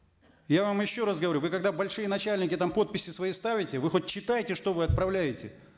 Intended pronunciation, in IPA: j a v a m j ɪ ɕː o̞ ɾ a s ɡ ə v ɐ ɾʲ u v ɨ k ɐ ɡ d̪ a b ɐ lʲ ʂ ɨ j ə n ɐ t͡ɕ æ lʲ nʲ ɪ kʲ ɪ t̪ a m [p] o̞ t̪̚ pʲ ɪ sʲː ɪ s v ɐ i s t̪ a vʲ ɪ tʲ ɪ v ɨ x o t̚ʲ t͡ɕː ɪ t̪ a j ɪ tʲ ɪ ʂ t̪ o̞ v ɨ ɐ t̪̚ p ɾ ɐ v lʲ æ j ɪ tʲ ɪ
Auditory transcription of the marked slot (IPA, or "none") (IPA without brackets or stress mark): p